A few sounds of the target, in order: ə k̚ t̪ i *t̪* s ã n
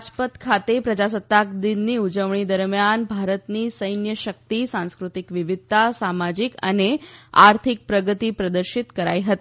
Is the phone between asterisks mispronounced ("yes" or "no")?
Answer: yes